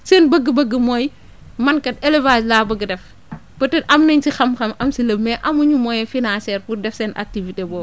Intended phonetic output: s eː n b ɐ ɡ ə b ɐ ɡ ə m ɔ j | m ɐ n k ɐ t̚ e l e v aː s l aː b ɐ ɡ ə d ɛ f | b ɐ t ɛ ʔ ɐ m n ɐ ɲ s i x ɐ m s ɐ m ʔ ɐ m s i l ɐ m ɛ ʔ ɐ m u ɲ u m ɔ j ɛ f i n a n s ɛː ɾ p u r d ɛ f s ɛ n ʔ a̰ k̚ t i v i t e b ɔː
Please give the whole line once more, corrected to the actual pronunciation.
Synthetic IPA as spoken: s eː n b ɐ ɡ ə b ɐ ɡ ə m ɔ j | m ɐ n k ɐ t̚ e l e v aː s l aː b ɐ ɡ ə d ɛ f | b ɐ t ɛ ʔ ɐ m n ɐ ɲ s i x ɐ m x ɐ m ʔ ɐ m s i l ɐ m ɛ ʔ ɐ m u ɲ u m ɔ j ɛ f i n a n s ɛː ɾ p u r d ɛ f s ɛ n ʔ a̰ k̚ t i v i t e b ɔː